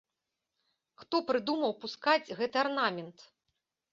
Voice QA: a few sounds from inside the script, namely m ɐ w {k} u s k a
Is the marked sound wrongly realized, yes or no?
yes